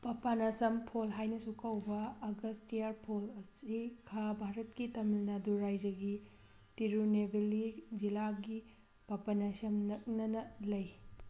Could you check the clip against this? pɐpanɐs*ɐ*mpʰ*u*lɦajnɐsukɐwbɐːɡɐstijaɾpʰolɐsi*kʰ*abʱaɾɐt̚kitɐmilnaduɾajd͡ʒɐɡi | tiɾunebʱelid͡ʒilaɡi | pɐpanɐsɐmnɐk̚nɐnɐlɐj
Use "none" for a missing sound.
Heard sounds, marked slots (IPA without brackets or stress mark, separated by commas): ɐ, o, kʰ